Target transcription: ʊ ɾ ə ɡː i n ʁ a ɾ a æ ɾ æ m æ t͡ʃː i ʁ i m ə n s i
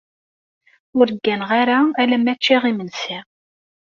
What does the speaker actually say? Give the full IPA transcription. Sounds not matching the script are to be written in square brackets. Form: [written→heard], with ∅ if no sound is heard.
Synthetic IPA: ʊ ɾ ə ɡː [i→æ] n ʁ a ɾ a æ [ɾ→l] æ m æ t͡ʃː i ʁ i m ə n s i